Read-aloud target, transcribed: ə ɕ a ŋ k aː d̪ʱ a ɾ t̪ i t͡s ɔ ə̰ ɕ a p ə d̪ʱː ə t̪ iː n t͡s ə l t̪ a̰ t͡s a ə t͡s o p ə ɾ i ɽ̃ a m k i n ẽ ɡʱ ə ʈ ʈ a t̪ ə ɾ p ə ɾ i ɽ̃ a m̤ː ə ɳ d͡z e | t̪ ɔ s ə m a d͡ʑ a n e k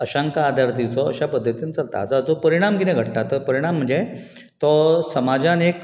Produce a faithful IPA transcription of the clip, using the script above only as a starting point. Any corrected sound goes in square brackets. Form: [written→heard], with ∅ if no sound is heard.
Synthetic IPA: ə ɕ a ŋ k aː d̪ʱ a ɾ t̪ i t͡s ɔ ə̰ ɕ a p ə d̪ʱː ə t̪ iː n t͡s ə l t̪ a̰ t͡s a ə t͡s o p ə ɾ i ɽ̃ a m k i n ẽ ɡʱ ə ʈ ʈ a t̪ ə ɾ p ə ɾ i ɽ̃ a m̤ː ə ɳ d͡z e | t̪ ɔ s ə m a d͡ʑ a n e k

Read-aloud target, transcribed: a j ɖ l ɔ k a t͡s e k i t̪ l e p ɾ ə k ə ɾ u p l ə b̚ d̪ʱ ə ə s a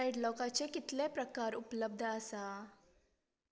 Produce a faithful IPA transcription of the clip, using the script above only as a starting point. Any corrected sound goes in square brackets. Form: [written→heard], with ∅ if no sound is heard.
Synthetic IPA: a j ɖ l ɔ k a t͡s e k i t̪ l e p ɾ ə k [ə→a] ɾ u p l ə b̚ d̪ʱ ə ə s a

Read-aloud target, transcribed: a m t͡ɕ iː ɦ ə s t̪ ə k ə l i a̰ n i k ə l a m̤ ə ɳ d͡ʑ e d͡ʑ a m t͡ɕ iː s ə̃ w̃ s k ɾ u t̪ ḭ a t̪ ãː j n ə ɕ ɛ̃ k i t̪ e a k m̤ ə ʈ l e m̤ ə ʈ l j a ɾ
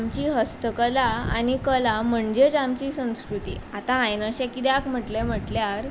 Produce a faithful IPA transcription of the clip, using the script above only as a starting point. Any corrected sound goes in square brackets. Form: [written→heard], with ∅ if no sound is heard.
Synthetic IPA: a m t͡ɕ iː ɦ ə s t̪ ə k ə l [i→a] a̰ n i k ə l a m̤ ə ɳ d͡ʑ e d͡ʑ a m t͡ɕ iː s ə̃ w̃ s k ɾ u t̪ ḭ a t̪ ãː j n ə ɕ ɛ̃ k i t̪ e a k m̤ ə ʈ l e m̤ ə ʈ l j a ɾ

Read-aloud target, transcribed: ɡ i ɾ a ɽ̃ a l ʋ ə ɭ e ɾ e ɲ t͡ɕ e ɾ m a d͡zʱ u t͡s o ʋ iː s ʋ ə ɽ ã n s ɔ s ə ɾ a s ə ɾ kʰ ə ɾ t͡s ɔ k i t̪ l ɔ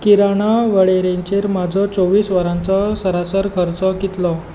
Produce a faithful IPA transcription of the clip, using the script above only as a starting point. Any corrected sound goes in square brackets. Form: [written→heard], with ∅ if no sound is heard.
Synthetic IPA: [ɡ→k] i ɾ a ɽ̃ a [l→∅] ʋ ə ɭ e ɾ e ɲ t͡ɕ e ɾ m a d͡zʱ [u→ɔ] t͡s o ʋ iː s ʋ ə [ɽ→ɾ] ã n [s→t͡s] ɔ s ə ɾ a s ə ɾ kʰ ə ɾ t͡s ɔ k i t̪ l ɔ

